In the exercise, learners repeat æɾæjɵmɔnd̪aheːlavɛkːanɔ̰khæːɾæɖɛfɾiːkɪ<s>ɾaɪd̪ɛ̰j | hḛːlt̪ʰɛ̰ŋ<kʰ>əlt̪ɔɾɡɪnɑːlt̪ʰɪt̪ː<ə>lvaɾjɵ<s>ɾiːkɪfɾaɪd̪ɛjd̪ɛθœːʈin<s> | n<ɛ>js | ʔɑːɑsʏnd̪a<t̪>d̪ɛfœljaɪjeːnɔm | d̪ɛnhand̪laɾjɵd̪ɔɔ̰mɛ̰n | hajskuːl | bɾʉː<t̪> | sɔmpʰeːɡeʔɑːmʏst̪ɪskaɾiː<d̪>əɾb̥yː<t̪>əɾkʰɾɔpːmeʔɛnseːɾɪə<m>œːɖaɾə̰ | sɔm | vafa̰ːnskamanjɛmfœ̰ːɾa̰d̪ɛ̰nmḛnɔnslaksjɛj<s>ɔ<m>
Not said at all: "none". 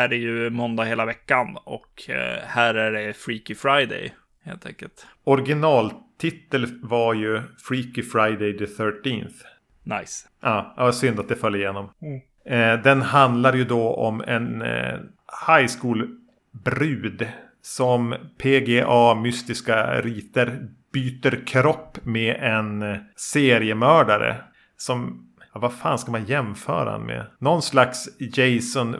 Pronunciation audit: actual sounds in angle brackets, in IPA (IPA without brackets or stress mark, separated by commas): f, k, ə, f, θ, a, t̪, d̪, t̪, t̪, m, s, n